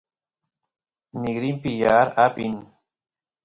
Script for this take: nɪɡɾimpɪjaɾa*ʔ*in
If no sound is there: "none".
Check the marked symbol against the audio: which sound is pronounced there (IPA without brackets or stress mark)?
p